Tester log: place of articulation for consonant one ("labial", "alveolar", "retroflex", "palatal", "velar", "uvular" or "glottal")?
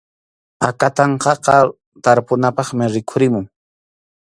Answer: velar